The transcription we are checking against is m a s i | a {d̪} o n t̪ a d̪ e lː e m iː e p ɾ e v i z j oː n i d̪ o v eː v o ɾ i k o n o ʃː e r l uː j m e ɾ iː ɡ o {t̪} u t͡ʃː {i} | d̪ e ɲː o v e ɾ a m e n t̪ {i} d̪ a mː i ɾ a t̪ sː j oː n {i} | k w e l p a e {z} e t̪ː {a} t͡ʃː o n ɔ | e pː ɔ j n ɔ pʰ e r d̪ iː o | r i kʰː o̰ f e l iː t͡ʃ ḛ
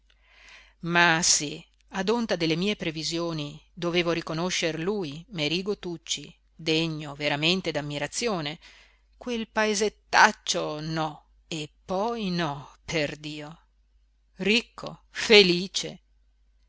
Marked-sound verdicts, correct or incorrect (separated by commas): correct, correct, correct, incorrect, incorrect, correct, correct